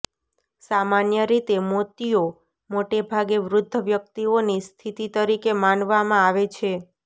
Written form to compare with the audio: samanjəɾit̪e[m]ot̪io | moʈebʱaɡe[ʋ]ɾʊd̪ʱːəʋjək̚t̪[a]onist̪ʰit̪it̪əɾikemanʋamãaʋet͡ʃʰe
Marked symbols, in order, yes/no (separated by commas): yes, yes, no